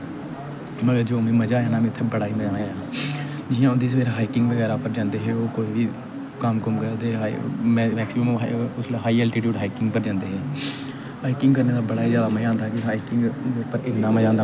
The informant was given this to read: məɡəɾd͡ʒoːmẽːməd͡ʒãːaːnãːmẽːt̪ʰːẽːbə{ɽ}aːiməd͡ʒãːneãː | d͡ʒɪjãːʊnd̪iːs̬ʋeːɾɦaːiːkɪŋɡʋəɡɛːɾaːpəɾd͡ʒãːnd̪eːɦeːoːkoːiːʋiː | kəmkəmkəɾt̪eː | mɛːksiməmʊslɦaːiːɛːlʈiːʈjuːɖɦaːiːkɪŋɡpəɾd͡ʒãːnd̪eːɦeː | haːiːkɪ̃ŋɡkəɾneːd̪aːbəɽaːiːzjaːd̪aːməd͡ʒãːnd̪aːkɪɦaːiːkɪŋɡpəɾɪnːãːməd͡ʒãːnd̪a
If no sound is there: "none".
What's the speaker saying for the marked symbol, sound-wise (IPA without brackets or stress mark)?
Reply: ɽ